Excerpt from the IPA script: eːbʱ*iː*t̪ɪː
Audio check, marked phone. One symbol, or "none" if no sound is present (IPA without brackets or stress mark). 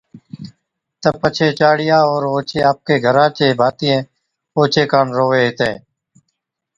aː